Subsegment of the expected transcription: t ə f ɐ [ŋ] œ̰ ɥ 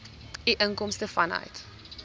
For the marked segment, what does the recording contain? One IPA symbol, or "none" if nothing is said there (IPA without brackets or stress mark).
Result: n